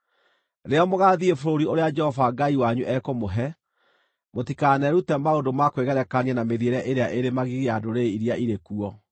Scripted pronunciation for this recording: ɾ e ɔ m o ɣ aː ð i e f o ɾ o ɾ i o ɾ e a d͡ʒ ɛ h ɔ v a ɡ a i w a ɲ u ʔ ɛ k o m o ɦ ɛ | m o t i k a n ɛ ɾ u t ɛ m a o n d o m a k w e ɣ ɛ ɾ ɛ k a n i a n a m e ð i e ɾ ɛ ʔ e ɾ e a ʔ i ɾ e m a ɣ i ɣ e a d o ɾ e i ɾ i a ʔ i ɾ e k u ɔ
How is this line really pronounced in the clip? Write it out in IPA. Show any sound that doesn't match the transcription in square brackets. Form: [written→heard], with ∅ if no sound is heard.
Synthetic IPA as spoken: ɾ e ɔ m o ɣ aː ð i e f o ɾ o ɾ i o ɾ e a d͡ʒ ɛ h ɔ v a ɡ a i w a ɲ u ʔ ɛ k o m o ɦ ɛ | m o t i k a n ɛ ɾ u t ɛ m a o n d o m a k w e ɣ ɛ ɾ ɛ k a n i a n a m e ð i e ɾ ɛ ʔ e ɾ e a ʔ [i→e] ɾ e m a ɣ i ɣ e a d o ɾ e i ɾ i a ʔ i ɾ e k u ɔ